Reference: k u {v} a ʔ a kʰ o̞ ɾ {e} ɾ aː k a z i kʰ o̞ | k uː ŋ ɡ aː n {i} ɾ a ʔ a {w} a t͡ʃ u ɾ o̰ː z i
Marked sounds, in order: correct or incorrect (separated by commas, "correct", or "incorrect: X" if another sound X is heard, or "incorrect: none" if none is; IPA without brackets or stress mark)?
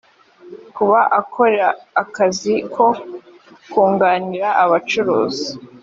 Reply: incorrect: β, correct, correct, incorrect: β